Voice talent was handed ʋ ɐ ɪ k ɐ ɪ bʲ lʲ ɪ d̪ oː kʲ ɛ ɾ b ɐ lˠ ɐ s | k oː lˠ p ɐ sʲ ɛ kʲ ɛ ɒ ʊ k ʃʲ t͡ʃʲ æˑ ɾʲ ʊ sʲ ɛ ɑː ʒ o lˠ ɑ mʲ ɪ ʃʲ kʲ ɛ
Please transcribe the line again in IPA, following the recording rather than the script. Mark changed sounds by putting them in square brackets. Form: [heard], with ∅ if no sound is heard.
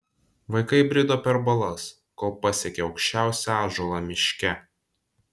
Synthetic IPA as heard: ʋ ɐ ɪ k ɐ ɪ bʲ [ɾʲ] ɪ d̪ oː [pʲ] ɛ ɾ b ɐ lˠ ɐ s | k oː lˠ p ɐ sʲ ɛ kʲ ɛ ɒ ʊ k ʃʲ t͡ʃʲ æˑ [∅] ʊ sʲ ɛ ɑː ʒ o lˠ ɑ mʲ ɪ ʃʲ kʲ ɛ